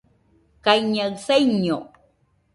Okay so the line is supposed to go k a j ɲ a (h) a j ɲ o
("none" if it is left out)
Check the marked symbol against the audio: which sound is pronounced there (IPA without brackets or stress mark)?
s